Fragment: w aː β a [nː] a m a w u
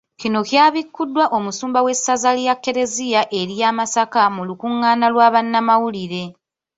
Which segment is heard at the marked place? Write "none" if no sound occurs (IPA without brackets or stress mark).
nː